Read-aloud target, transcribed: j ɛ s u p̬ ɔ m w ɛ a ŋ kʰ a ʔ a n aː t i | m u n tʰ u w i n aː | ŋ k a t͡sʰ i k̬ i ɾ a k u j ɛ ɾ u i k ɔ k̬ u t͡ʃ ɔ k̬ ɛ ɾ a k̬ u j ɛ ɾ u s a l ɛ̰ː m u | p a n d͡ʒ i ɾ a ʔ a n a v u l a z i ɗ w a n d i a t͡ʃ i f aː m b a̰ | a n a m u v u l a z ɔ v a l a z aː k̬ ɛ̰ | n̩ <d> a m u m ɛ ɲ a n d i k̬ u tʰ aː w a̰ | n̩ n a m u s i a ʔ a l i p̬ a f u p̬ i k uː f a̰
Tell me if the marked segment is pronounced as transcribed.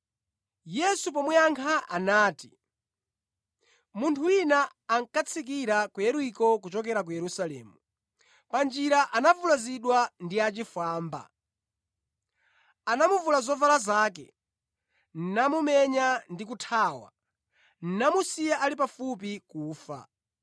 no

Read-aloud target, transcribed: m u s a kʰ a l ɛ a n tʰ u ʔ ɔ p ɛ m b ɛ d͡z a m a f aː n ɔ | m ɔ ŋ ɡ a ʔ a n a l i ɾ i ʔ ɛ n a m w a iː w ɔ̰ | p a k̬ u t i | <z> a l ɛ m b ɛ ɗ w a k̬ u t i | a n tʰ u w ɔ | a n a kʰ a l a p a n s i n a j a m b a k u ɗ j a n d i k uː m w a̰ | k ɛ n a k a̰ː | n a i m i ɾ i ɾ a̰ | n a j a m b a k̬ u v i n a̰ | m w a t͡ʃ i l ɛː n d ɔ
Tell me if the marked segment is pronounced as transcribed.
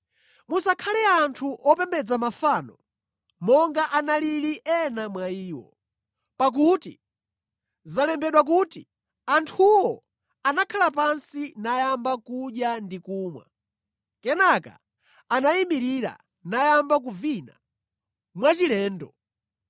yes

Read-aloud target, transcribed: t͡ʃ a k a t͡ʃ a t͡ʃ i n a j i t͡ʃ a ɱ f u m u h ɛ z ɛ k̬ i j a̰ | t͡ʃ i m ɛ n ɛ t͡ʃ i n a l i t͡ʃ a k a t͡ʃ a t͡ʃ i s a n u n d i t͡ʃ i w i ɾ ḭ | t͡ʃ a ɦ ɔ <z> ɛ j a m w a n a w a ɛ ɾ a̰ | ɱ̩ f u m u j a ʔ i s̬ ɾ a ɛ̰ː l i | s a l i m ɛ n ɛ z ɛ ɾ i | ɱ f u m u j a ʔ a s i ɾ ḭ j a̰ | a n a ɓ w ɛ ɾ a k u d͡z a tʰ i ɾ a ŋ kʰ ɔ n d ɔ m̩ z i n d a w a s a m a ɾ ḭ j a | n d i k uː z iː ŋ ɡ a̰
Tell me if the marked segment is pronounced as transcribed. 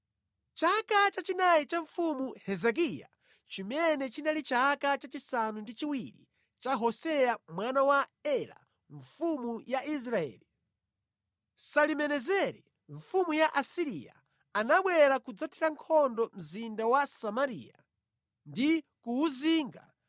no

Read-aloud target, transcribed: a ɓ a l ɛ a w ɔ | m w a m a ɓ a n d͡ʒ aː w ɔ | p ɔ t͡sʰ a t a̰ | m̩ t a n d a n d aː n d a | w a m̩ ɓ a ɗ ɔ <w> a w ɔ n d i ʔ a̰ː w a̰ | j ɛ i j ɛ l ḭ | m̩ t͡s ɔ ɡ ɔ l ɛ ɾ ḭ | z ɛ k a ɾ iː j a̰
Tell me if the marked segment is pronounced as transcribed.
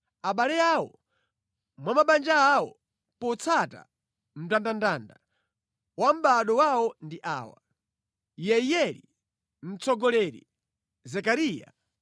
yes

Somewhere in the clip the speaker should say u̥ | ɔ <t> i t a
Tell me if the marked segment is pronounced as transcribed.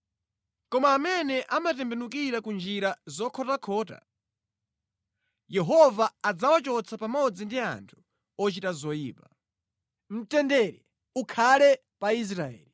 no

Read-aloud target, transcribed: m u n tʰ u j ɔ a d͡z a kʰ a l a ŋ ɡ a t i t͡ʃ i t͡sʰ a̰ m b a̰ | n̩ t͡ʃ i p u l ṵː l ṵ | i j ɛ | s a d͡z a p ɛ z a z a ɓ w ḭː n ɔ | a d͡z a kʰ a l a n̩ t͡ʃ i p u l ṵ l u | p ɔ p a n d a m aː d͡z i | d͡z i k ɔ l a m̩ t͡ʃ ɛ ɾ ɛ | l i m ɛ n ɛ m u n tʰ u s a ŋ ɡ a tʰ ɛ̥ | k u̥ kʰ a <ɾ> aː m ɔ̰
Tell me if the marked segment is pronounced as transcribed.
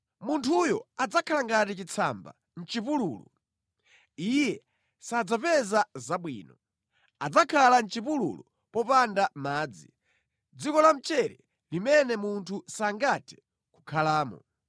no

